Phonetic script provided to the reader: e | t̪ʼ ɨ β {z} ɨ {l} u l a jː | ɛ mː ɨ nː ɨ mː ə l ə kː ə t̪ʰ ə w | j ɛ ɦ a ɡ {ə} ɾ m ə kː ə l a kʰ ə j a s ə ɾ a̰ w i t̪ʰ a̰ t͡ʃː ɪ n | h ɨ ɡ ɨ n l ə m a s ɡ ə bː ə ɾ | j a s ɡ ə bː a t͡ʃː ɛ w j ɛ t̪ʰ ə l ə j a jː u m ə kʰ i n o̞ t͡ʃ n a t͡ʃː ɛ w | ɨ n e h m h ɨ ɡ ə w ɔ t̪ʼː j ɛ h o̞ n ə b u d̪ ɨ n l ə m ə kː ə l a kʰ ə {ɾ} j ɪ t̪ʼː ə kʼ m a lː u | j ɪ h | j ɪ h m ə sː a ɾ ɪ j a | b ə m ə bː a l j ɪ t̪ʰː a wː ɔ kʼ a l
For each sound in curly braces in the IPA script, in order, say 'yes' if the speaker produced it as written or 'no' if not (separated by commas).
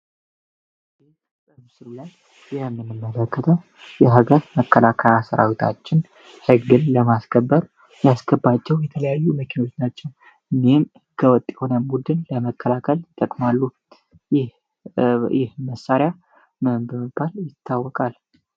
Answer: no, no, yes, no